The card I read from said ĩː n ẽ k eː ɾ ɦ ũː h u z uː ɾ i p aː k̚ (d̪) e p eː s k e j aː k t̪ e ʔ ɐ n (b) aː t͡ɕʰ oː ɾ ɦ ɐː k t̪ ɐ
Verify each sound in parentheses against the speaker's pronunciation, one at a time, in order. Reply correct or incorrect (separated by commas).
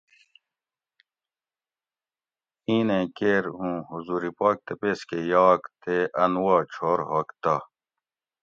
incorrect, incorrect